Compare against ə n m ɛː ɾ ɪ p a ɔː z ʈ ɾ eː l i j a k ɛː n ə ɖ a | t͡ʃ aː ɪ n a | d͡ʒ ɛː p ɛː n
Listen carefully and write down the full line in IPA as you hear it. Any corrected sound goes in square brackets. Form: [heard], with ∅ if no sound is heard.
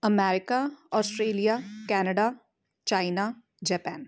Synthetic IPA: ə [∅] m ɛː ɾ ɪ [k] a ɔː [s] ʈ ɾ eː l i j a k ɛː n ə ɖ a | t͡ʃ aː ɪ n a | d͡ʒ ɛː p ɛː n